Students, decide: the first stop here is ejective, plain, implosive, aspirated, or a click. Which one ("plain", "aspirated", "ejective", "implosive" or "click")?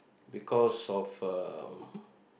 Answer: plain